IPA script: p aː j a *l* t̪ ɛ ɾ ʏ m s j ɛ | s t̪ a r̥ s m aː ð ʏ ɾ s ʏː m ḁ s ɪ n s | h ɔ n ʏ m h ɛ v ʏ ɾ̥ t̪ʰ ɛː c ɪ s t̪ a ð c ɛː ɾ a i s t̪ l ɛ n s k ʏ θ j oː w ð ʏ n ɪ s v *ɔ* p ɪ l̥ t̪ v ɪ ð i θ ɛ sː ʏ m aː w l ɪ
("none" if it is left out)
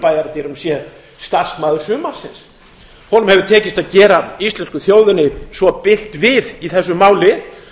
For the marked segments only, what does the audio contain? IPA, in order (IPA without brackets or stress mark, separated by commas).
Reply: ɾ, ɔ